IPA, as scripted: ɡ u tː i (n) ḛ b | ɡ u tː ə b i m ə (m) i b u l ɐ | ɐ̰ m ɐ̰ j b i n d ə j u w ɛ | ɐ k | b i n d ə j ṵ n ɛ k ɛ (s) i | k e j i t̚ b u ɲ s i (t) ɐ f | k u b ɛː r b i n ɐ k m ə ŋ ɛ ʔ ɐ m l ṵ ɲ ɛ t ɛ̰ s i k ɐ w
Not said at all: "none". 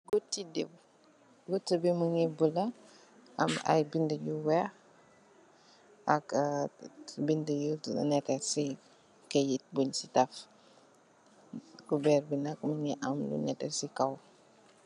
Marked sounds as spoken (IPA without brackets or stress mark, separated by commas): d, ŋ, s, t